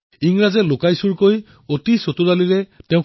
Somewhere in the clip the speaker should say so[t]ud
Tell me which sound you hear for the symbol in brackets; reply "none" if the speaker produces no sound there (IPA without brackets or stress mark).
t